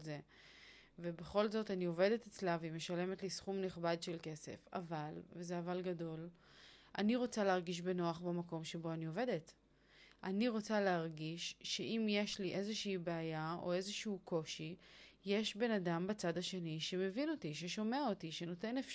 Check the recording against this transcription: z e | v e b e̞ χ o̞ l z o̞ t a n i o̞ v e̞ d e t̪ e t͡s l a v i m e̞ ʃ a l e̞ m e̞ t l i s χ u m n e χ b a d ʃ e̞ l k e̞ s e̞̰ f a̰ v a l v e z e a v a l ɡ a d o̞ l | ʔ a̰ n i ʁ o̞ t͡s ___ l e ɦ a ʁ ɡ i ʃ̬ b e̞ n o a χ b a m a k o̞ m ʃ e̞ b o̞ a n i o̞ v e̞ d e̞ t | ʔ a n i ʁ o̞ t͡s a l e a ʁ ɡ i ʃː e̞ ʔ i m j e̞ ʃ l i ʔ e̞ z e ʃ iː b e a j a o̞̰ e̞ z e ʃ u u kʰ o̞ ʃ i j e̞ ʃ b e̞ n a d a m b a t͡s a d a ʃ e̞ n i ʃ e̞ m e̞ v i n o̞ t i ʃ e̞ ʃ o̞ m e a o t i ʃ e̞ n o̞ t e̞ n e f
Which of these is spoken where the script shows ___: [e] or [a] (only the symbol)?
a